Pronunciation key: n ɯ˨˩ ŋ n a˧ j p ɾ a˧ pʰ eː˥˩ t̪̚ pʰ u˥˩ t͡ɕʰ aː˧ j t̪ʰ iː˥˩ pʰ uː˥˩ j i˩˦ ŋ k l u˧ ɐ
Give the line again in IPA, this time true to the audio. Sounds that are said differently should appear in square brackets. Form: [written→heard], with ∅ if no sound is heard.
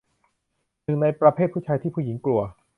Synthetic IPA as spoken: n ɯ˨˩ ŋ n a˧ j p ɾ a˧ pʰ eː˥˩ t̪̚ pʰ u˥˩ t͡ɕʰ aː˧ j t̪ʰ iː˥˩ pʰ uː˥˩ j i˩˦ ŋ k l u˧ ɐ